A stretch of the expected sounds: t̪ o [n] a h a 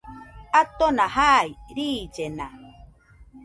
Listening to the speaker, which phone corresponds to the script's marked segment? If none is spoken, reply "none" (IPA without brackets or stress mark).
n